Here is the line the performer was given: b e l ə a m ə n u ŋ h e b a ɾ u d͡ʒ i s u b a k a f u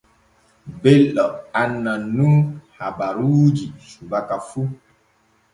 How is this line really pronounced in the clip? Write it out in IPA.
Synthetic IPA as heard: b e l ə a n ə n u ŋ h a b a ɾ u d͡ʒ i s u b a k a f u